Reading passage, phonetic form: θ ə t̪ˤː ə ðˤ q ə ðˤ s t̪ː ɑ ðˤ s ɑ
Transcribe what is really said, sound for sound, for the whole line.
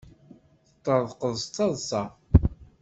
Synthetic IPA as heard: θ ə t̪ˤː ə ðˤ q ə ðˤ s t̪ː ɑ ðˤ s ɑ